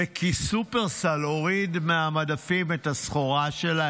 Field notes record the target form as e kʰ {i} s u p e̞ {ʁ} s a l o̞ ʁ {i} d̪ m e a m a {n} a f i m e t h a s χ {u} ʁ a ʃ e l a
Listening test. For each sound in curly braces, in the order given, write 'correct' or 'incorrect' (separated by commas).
correct, correct, correct, incorrect, incorrect